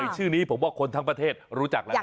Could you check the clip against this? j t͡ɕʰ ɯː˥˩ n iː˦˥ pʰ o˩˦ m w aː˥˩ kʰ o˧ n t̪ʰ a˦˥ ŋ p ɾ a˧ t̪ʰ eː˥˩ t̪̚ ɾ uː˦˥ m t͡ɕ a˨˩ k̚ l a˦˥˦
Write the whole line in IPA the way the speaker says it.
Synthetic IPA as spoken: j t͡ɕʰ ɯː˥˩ n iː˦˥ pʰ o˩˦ m w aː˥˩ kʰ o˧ n t̪ʰ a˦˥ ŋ p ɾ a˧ t̪ʰ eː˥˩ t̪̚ ɾ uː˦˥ t͡ɕ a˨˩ k̚ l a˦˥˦